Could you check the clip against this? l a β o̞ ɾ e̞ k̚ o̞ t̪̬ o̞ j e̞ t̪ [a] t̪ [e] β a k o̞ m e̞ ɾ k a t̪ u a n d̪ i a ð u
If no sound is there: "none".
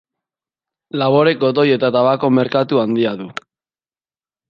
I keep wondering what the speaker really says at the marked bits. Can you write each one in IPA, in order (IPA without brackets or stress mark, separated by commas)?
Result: a, a